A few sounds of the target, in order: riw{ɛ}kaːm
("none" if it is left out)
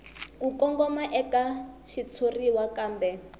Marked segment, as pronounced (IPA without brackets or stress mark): a